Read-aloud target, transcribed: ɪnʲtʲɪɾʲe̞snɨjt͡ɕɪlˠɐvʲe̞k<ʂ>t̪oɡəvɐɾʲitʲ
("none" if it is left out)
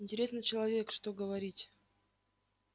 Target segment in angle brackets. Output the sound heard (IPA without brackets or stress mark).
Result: ʂ